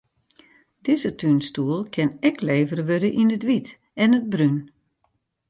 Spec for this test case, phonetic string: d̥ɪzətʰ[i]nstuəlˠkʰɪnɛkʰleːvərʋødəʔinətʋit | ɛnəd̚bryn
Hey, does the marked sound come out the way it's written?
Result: no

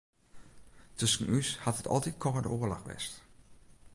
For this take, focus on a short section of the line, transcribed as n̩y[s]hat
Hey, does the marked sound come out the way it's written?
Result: yes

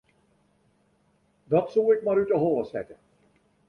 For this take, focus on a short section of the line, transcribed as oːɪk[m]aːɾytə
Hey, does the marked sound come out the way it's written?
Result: yes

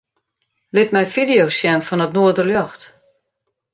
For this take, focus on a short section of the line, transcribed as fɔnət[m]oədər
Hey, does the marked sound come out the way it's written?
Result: no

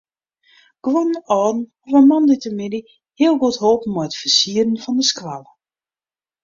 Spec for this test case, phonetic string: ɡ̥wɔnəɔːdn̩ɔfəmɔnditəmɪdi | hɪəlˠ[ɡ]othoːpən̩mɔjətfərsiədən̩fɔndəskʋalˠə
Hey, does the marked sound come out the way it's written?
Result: yes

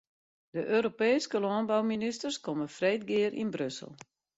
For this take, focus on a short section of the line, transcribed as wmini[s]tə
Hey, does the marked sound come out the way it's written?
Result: yes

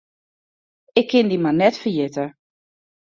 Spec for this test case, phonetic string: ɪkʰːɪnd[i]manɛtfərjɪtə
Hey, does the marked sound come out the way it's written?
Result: yes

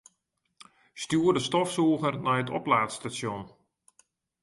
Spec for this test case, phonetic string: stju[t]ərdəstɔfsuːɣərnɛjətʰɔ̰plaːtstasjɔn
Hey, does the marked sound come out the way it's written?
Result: no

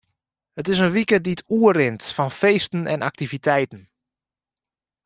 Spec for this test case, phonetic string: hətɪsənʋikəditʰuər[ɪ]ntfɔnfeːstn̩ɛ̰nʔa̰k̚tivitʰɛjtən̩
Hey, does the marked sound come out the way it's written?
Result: yes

